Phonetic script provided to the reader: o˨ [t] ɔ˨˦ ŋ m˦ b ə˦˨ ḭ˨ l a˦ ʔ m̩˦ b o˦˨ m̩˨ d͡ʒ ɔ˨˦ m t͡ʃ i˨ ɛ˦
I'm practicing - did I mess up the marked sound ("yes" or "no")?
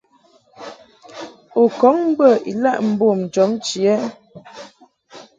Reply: yes